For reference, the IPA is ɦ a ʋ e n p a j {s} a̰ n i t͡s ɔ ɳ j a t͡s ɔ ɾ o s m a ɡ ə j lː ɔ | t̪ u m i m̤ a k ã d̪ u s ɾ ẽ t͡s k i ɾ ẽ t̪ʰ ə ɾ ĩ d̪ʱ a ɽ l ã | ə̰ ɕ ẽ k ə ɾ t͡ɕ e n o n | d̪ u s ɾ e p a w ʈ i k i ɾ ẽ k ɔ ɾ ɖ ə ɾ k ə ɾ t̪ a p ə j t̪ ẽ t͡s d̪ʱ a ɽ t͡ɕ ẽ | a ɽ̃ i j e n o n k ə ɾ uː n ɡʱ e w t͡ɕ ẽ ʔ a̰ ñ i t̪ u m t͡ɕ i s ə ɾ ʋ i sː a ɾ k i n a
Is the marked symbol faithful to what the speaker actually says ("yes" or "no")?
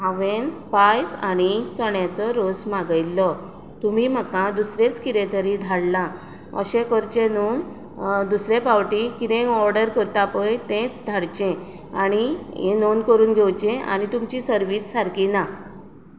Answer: yes